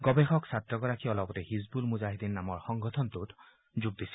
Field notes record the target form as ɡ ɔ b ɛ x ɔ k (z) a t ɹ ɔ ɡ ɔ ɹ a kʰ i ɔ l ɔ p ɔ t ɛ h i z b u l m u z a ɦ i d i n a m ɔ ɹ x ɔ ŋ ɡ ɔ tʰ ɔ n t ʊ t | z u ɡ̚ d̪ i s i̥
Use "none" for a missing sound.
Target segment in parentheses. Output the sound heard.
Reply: s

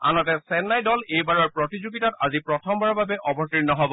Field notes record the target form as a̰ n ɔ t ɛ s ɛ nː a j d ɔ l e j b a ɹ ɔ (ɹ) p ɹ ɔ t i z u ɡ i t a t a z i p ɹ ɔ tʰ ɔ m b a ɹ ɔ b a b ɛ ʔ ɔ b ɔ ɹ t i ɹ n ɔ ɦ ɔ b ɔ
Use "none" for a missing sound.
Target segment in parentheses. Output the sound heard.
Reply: ɹ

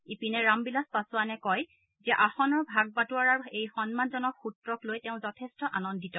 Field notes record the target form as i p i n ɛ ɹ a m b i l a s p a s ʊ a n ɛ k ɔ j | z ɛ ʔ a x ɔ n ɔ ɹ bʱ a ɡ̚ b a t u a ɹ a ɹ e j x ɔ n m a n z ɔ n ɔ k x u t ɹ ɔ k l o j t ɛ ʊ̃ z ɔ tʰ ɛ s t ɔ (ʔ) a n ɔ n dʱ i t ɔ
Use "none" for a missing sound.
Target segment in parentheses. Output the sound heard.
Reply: ʔ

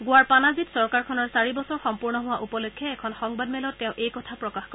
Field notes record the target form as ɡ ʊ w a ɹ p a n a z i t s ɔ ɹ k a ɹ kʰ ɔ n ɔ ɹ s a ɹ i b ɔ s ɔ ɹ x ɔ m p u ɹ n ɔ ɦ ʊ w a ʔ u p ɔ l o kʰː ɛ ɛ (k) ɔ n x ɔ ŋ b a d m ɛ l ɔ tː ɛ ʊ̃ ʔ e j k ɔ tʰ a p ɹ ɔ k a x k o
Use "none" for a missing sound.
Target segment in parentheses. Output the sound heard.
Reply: kʰ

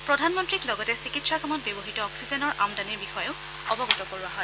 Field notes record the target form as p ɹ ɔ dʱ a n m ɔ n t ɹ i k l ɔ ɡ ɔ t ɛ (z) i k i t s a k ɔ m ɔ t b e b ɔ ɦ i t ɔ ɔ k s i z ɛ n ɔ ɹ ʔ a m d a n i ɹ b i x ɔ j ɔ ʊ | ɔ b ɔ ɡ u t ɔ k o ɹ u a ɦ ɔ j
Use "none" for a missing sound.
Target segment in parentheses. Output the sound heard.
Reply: s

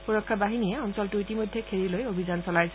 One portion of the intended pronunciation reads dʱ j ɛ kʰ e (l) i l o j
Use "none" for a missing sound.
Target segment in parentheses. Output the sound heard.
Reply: ɹ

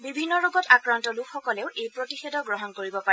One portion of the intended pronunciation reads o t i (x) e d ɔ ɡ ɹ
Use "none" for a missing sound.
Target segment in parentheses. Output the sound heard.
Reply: x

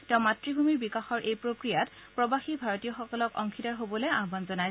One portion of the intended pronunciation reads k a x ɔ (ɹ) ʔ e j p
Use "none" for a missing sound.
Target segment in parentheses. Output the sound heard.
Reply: ɹ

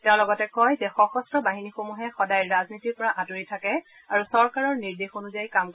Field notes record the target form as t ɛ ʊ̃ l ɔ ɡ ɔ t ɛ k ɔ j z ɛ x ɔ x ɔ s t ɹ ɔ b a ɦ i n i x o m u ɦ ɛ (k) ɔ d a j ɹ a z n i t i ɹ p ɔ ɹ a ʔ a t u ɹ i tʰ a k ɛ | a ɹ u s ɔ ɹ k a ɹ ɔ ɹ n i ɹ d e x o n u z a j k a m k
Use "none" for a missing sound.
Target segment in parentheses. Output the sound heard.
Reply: x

